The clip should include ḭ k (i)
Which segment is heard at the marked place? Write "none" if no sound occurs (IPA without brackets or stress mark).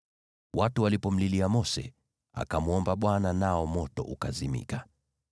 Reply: a